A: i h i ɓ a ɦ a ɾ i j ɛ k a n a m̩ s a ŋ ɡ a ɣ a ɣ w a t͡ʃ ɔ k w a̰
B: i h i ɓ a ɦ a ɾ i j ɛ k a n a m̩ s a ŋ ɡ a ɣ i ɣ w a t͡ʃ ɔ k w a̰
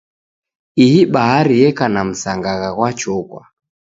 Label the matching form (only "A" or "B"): A